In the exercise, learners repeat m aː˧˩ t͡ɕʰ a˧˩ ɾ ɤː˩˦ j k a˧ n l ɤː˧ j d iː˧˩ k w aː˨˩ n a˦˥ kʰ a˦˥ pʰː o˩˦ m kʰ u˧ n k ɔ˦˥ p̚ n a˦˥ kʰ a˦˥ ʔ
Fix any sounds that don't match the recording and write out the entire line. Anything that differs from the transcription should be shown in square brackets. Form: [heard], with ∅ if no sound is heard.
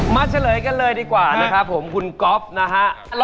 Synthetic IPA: m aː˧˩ t͡ɕʰ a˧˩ [l] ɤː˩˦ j k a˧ n l ɤː˧ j d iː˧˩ k w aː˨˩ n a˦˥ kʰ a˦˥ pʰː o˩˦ m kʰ u˧ n k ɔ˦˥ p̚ n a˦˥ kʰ a˦˥ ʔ